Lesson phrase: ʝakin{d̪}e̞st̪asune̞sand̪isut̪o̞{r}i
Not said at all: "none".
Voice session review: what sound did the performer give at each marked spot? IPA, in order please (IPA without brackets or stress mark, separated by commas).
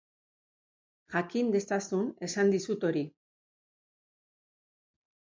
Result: d̪, ɾ